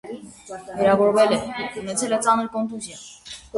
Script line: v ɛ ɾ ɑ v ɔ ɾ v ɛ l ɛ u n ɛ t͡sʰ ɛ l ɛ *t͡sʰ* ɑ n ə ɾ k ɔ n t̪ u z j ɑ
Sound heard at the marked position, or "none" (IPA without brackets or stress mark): t͡s